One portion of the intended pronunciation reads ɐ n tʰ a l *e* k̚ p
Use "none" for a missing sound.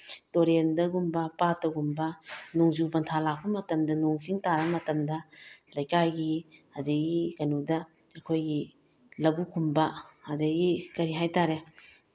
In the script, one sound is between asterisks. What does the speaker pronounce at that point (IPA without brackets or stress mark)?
a